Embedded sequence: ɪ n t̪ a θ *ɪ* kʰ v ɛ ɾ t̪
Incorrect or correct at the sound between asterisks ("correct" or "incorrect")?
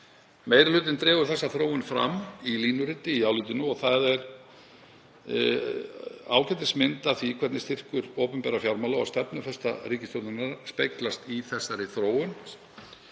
incorrect